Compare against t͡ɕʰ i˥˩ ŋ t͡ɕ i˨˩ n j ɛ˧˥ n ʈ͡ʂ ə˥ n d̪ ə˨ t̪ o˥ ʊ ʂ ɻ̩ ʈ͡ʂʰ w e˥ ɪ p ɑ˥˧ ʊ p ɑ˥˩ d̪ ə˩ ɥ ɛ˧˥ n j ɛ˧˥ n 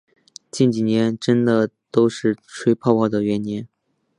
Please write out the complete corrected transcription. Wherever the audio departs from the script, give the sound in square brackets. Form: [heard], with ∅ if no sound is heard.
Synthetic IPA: [t͡ɕ] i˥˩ [n] t͡ɕ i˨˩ n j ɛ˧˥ n ʈ͡ʂ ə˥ n d̪ ə˨ t̪ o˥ ʊ ʂ ɻ̩ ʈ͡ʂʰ w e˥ ɪ [pʰ] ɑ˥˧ ʊ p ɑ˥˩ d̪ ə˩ ɥ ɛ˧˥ n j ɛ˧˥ n